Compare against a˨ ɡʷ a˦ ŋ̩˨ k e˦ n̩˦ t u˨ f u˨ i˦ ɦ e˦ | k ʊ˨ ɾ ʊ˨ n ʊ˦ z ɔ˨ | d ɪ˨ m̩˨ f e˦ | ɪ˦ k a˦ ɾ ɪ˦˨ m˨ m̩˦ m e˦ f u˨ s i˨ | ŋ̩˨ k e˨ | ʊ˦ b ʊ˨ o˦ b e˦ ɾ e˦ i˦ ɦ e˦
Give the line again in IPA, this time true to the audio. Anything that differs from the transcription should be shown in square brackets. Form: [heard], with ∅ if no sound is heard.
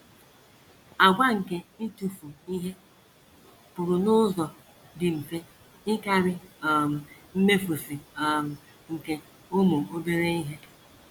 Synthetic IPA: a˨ ɡʷ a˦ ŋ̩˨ k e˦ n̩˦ t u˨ f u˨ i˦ ɦ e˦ | [p] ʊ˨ ɾ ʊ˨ n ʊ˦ z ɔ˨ | d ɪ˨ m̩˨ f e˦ | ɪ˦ k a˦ ɾ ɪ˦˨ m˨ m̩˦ m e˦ f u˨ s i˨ | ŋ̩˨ k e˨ | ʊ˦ [m] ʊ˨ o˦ b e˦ ɾ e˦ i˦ ɦ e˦